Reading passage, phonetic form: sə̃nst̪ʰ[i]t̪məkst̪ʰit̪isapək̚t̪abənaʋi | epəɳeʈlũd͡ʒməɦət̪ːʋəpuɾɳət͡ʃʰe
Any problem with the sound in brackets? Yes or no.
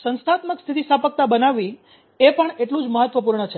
yes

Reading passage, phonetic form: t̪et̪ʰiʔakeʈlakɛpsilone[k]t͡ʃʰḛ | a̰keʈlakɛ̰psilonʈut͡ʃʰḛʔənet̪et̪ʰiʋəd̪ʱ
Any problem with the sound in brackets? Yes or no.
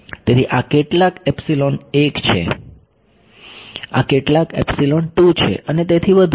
no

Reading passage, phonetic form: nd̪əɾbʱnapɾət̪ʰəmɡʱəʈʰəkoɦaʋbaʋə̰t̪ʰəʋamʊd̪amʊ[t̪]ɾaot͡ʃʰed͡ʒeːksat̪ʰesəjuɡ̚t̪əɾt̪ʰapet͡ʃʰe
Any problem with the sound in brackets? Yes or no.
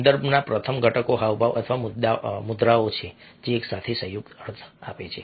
yes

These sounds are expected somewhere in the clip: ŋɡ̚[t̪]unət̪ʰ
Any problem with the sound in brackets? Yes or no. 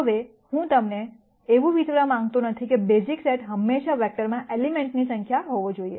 no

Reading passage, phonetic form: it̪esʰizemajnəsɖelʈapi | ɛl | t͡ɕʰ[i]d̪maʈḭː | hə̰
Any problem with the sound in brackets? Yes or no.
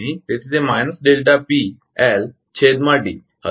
yes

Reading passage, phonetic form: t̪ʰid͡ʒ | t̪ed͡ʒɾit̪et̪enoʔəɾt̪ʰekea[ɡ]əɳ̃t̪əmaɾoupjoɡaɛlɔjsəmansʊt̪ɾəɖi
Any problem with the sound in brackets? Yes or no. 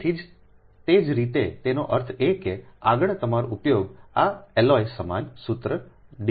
no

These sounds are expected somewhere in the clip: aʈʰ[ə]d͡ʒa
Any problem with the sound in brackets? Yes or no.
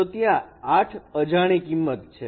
no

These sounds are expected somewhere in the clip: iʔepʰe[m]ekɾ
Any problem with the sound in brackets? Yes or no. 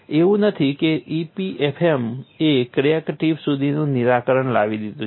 no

